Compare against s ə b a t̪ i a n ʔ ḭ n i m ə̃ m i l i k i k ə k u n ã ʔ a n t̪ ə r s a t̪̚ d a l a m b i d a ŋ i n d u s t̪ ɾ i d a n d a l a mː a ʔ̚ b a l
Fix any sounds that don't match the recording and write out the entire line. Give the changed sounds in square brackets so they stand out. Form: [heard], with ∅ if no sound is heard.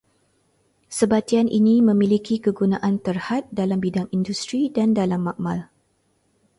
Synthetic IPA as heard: s ə b a t̪ i a n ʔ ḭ n i m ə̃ m i l i k i k ə [ɡ] u n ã ʔ a n t̪ ə r [h] a t̪̚ d a l a m b i d a ŋ i n d u s t̪ ɾ i d a n d a l a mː a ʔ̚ [m] a l